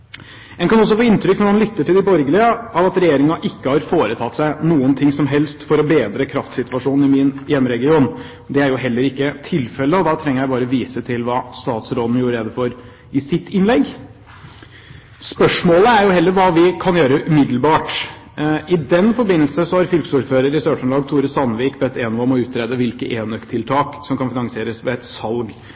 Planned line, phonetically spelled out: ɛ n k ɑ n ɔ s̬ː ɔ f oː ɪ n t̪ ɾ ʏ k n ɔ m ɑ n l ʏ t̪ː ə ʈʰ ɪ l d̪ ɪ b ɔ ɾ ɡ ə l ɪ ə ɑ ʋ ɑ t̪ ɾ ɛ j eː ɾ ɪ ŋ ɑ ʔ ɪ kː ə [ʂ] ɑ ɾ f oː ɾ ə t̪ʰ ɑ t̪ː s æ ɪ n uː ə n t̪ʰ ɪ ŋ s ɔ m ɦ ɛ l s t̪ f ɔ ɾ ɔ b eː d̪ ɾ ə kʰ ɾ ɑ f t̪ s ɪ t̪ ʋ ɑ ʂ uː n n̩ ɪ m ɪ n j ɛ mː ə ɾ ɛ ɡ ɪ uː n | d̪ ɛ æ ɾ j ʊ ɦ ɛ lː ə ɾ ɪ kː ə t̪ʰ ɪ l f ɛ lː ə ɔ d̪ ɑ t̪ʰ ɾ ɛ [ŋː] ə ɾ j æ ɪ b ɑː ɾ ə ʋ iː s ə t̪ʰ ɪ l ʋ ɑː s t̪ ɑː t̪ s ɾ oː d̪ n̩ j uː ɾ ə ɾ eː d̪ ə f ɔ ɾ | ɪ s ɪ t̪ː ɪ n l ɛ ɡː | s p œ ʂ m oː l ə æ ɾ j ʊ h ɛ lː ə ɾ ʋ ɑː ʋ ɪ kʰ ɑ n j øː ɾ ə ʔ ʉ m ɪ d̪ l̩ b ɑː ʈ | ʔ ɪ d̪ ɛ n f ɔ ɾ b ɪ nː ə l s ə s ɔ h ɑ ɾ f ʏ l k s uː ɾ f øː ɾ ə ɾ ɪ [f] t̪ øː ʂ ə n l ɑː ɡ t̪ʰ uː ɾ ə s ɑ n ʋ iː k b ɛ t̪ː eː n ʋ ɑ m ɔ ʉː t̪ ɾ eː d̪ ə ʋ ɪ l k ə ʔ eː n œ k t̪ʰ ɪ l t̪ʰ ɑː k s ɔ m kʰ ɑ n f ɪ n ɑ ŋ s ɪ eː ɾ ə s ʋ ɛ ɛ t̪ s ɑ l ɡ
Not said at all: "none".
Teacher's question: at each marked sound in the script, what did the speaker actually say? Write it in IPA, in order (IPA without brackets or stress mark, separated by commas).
h, ŋ, s